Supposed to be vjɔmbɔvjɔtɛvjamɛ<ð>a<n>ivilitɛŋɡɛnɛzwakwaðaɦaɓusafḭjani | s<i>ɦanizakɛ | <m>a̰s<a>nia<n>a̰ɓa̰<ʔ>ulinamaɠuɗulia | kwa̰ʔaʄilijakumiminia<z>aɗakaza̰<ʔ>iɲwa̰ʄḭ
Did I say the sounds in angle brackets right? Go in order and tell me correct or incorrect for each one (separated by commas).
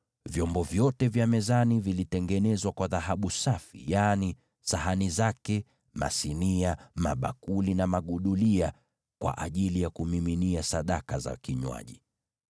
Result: incorrect, correct, incorrect, correct, incorrect, incorrect, incorrect, incorrect, incorrect